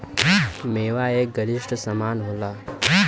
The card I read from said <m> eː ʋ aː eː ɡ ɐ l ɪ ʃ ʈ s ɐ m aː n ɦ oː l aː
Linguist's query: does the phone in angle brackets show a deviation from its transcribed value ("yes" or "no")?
no